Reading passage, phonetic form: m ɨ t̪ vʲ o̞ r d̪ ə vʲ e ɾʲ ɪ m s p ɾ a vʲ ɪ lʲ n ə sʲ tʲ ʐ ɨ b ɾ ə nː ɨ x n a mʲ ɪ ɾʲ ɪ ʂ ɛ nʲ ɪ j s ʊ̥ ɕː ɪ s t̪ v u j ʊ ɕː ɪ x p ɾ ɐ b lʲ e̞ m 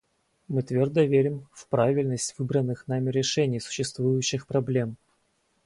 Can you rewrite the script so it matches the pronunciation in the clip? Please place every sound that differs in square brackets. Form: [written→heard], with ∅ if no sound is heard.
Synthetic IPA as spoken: m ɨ t̪ vʲ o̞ r d̪ ə vʲ e ɾʲ ɪ m [s→f] p ɾ a vʲ ɪ lʲ n ə sʲ tʲ [ʐ→v] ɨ b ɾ ə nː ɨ x n a mʲ ɪ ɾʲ ɪ ʂ ɛ nʲ ɪ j s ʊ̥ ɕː ɪ s t̪ v u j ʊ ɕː ɪ x p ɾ ɐ b lʲ e̞ m